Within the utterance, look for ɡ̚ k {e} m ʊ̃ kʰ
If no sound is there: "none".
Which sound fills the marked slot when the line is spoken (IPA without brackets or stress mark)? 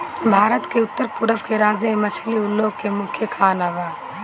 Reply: e